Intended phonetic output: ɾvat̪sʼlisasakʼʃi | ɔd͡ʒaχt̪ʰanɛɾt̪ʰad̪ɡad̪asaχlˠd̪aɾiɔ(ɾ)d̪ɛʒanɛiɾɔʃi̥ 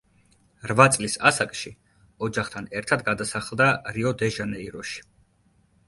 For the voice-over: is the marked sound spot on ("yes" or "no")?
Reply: no